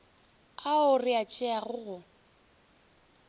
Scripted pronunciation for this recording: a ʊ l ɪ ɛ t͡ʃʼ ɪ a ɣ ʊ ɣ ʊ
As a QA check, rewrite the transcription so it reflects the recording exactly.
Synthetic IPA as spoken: a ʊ r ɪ a t͡ʃʼ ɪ a ɣ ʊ ɣ ʊ